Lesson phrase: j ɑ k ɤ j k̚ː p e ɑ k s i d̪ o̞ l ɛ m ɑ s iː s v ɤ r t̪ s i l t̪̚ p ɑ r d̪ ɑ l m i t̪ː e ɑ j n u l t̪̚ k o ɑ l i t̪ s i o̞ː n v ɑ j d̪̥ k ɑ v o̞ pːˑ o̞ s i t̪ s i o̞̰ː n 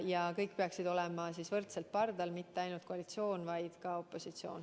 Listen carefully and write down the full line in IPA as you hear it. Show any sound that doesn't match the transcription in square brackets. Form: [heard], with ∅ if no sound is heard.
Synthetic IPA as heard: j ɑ k ɤ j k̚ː p e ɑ k s i d̪ o̞ l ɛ m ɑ s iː s v ɤ r t̪ s [e] l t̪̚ p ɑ r d̪ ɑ l m i t̪ː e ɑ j n u l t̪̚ k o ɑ l i t̪ s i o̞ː n v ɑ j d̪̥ k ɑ [∅] o̞ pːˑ o̞ s i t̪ s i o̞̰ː n